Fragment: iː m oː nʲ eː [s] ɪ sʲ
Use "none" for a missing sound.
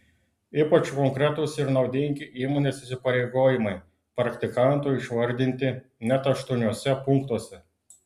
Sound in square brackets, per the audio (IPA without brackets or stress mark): s